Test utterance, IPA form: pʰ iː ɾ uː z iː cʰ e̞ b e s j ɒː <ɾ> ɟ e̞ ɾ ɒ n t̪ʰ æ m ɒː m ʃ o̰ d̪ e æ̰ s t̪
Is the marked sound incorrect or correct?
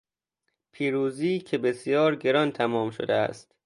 correct